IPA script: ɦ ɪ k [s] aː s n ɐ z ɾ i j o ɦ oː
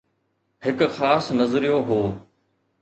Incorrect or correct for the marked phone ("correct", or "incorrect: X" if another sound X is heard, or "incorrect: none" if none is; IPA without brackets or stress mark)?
incorrect: x